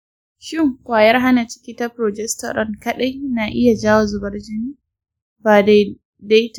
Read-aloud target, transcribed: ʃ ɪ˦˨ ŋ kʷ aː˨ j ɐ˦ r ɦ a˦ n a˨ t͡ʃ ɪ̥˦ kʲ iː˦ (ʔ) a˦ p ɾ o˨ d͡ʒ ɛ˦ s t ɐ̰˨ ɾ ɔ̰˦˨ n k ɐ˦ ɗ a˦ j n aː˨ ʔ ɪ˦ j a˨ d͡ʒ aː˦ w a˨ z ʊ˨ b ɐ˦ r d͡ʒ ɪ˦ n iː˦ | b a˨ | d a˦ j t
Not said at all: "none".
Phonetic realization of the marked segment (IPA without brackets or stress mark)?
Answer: t